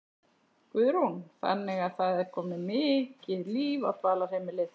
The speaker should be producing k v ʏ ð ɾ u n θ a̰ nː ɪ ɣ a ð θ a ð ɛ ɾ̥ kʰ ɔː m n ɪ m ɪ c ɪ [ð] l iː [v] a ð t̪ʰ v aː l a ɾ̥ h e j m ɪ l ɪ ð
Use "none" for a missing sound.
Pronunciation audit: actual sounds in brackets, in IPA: ð, v

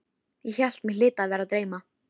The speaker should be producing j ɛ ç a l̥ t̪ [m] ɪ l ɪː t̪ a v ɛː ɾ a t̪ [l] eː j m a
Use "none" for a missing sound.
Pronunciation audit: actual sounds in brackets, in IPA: m, ɾ

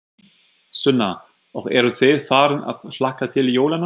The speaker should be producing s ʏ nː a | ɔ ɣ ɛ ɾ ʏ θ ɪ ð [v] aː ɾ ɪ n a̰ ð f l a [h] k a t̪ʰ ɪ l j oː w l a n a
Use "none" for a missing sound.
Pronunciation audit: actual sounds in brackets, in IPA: f, h

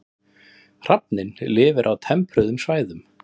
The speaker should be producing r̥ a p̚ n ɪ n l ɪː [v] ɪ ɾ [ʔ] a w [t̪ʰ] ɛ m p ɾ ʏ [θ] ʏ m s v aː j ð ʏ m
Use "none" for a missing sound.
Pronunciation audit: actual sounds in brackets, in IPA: v, ʔ, t̪ʰ, ð

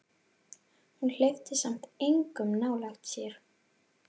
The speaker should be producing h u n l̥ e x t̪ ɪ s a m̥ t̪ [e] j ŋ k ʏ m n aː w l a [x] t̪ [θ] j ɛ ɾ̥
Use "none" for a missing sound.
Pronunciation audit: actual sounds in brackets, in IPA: e, x, s

